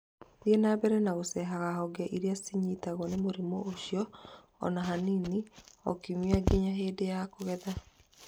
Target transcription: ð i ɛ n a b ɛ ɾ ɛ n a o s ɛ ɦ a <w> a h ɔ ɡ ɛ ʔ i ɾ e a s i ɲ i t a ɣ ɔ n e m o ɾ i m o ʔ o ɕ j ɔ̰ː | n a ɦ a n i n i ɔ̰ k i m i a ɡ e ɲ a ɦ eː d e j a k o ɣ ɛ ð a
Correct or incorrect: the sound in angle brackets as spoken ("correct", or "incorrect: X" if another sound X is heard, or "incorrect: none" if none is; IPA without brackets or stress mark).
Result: incorrect: ɣ